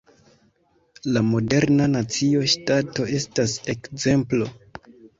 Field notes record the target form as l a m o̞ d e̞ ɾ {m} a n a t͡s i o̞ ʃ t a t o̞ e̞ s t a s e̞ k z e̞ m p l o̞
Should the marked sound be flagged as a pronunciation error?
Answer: yes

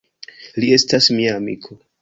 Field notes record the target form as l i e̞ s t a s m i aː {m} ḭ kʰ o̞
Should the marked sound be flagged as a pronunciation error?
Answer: no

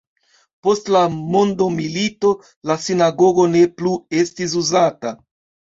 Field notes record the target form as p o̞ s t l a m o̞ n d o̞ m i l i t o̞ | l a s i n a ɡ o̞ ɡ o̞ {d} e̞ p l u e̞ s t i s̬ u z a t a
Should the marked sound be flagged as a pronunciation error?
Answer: yes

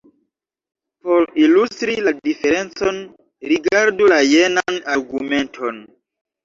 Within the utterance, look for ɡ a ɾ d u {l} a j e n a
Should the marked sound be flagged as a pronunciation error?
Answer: no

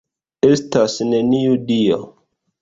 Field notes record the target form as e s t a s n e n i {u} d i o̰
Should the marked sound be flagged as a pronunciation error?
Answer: no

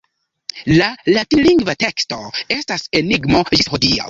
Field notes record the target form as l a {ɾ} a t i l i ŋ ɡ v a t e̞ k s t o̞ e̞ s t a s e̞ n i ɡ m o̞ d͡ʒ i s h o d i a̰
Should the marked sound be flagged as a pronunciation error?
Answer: yes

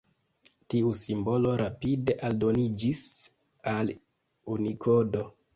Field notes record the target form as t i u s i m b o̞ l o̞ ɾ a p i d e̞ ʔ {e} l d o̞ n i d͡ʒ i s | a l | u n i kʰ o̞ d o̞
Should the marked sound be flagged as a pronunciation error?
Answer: yes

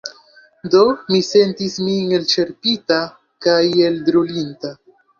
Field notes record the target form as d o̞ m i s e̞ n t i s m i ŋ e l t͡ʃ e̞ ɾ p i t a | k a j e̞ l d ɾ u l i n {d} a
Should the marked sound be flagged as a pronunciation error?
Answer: yes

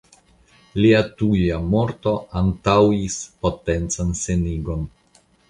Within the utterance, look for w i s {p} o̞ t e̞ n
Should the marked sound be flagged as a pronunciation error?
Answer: no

